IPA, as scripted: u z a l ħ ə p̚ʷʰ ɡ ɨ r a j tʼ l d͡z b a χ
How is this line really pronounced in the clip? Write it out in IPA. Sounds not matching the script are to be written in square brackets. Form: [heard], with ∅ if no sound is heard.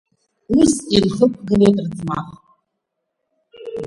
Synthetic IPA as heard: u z [i] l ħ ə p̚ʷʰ ɡ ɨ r [e] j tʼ [r] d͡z [m] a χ